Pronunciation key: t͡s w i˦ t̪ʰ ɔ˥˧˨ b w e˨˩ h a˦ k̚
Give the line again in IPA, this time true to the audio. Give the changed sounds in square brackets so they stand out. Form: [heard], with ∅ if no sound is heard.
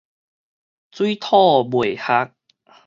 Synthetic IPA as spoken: t͡s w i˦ t̪ʰ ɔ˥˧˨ b w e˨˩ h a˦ k̚